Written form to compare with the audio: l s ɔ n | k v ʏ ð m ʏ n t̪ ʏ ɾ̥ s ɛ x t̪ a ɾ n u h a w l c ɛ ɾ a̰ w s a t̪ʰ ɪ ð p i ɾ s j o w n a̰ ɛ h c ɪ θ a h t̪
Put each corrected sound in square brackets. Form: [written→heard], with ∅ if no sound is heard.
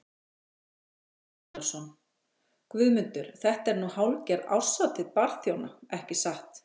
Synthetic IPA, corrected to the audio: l s ɔ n | k v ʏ ð m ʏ n t̪ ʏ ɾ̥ [s→θ] ɛ [x→h] t̪ [a→ɛ] ɾ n u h a w l c ɛ ɾ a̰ w s a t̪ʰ ɪ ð p [i→a] ɾ [s→θ] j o w n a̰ ɛ h c ɪ [θ→s] a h t̪